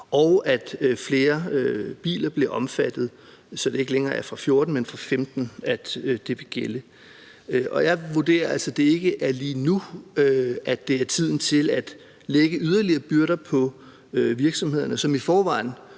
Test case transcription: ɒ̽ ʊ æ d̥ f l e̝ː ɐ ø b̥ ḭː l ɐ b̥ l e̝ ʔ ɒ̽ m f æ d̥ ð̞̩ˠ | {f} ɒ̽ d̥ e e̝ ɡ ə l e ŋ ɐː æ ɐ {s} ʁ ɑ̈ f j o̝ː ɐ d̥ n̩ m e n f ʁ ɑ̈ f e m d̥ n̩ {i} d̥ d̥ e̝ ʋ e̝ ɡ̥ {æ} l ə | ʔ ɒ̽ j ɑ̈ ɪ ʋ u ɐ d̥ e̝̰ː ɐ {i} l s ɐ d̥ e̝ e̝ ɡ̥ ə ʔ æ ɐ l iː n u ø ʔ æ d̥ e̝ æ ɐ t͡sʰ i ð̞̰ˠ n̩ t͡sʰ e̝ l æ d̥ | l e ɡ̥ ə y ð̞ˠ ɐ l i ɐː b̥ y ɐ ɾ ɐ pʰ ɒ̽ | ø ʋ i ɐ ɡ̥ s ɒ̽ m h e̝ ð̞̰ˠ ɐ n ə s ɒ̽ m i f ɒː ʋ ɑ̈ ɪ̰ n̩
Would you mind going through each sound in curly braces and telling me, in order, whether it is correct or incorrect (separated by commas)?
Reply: incorrect, incorrect, incorrect, incorrect, incorrect